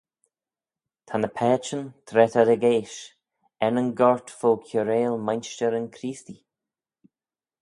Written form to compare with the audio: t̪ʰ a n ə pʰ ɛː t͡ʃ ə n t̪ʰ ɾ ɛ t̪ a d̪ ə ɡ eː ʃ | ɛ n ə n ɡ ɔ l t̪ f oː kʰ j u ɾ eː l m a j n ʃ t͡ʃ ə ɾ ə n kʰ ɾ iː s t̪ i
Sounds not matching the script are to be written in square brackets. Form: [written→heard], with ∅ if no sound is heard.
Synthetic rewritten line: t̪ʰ a n ə pʰ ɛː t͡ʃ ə n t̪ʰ ɾ ɛ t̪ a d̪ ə ɡ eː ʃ | ɛ n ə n ɡ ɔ [l→ɹ] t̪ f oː kʰ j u ɾ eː l m a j n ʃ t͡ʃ ə ɾ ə n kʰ ɾ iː s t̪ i